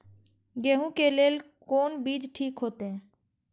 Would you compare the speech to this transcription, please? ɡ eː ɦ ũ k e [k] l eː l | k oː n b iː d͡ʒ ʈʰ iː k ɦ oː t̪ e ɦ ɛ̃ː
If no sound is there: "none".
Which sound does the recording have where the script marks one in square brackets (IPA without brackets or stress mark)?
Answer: none